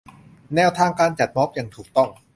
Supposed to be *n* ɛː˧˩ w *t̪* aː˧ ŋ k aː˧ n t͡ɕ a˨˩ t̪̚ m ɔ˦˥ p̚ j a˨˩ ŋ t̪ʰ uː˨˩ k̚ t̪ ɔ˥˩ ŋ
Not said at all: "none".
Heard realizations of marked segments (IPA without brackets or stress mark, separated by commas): n, t̪ʰ